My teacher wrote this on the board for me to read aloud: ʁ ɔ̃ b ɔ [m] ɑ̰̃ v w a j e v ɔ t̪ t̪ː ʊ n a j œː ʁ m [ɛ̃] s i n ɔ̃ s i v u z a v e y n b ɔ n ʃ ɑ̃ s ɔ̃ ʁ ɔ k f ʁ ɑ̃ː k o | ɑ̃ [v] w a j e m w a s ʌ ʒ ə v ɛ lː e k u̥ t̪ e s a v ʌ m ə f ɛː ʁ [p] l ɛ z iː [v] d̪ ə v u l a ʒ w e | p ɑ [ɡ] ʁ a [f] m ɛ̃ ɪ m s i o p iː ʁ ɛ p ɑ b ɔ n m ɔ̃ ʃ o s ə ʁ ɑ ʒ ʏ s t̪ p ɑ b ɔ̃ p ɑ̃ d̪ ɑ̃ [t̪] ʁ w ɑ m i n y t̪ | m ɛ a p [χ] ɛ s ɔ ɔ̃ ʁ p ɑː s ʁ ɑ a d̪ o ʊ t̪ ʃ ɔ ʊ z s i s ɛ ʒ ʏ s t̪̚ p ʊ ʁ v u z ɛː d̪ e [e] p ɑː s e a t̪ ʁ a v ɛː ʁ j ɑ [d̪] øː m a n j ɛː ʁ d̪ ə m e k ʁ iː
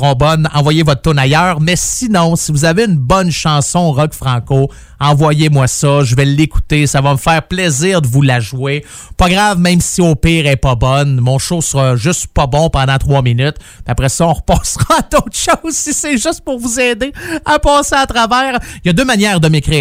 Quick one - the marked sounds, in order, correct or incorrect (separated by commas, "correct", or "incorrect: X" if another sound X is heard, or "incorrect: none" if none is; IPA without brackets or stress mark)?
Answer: incorrect: n, incorrect: ɛ, correct, correct, incorrect: ʁ, correct, incorrect: v, correct, incorrect: ʁ, incorrect: a, correct